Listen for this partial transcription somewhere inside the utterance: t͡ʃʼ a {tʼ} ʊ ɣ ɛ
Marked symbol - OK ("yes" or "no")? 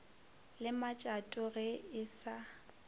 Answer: yes